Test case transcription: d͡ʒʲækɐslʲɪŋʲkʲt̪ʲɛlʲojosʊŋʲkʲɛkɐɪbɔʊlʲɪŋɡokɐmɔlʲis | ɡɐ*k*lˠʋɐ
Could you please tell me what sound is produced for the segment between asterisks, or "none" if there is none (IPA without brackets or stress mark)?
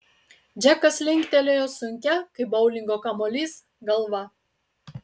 none